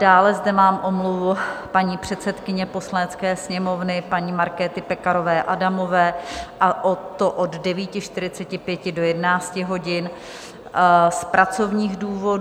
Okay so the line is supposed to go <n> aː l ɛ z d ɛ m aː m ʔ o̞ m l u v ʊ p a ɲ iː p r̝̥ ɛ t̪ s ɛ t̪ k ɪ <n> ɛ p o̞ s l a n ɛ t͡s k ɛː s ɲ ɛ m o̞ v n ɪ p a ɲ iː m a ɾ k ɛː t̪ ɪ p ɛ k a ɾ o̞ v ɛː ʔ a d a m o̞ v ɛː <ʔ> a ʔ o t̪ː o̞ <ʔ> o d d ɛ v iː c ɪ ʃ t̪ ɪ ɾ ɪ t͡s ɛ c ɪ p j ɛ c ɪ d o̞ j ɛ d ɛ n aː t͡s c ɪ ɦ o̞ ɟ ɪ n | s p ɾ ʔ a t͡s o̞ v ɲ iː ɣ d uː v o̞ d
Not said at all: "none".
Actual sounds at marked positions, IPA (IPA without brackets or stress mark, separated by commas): d, ɲ, ʔ, ʔ